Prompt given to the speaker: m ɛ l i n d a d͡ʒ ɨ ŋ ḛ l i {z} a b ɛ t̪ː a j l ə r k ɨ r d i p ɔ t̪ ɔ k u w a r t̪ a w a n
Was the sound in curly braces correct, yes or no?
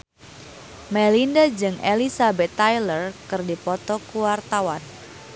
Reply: no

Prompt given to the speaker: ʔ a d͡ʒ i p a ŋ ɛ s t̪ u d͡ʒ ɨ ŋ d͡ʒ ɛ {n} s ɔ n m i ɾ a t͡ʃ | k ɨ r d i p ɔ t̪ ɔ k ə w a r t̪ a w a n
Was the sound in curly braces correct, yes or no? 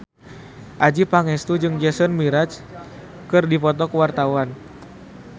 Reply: no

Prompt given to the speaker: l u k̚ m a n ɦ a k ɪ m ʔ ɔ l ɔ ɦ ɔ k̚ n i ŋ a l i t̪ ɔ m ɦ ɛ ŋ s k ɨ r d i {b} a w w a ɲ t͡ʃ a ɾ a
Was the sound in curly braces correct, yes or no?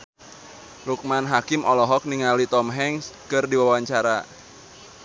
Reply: no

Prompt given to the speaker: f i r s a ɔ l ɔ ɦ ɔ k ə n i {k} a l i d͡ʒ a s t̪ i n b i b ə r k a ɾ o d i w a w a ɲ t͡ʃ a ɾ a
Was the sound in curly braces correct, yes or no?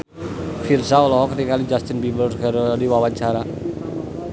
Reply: yes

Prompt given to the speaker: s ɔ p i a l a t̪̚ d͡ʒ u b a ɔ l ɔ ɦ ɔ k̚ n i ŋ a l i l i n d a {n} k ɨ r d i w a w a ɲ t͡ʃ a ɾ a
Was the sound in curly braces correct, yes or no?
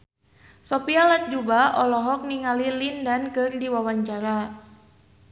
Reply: yes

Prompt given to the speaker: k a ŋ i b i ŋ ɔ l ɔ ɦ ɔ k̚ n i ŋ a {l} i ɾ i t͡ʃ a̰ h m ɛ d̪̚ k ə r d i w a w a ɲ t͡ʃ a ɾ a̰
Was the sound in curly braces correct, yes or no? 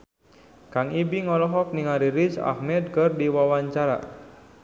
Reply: no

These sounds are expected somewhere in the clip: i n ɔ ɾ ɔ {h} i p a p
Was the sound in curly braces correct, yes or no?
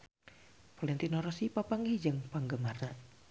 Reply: no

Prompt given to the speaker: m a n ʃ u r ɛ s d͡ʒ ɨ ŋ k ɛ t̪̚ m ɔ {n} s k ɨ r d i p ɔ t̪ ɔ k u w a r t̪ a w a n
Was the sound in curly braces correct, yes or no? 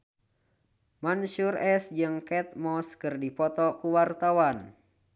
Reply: no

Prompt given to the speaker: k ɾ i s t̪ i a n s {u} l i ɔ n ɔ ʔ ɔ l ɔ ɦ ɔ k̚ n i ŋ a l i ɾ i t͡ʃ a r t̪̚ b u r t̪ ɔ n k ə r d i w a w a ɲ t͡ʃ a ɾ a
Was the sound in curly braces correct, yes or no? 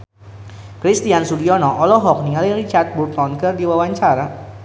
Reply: yes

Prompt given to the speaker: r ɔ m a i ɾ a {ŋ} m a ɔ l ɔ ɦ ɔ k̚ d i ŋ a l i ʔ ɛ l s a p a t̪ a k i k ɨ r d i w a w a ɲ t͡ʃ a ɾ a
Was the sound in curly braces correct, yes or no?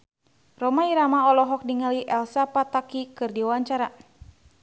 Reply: no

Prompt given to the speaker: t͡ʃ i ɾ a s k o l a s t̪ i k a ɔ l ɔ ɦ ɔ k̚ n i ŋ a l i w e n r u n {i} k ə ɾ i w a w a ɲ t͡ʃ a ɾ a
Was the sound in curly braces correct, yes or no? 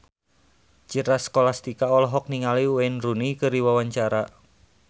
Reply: yes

